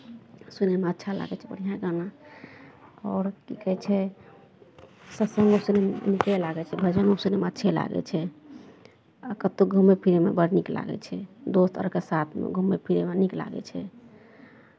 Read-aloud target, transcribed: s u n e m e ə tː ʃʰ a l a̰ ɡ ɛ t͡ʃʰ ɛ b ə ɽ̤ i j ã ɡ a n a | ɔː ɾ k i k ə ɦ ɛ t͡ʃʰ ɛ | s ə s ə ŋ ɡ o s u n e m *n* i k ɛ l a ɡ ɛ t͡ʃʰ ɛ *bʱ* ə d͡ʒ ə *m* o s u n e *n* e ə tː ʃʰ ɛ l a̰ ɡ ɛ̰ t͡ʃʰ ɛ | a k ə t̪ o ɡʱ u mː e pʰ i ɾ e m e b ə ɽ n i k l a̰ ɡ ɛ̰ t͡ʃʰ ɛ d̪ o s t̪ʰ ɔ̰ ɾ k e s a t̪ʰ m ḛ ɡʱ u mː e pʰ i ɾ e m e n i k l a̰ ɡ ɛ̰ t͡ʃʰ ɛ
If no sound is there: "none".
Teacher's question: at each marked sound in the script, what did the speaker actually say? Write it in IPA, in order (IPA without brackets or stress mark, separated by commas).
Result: n, bʱ, n, m